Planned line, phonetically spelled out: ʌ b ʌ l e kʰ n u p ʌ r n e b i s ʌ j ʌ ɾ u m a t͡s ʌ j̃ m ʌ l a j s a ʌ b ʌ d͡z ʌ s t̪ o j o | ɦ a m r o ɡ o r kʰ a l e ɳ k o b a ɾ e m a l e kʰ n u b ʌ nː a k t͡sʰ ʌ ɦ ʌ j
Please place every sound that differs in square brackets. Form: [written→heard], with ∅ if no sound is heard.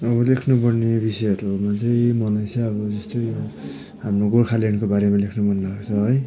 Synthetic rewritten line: ʌ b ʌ l e kʰ n u p ʌ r n e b i s ʌ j ʌ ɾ u m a t͡s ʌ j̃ m ʌ l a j s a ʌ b ʌ d͡z ʌ s t̪ o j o | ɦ a m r o ɡ o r kʰ a l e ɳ k o b a ɾ e m a l e kʰ n u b ʌ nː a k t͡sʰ ʌ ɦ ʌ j